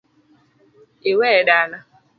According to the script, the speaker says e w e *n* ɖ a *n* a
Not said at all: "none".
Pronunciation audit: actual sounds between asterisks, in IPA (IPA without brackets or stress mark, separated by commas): none, n